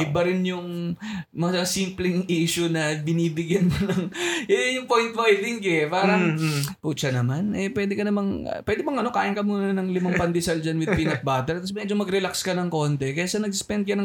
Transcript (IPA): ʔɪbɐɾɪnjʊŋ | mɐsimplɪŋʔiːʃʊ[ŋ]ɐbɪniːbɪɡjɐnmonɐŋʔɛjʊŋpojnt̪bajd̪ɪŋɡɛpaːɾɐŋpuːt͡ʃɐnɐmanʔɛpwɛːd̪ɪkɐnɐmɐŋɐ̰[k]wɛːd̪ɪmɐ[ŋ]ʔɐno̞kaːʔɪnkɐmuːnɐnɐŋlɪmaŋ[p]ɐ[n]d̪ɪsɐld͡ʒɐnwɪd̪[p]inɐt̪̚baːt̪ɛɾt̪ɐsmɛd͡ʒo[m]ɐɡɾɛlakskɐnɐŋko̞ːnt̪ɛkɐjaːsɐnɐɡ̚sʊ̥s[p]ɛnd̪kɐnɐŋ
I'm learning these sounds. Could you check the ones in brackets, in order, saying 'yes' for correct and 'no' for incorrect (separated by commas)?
no, no, yes, yes, yes, yes, yes, yes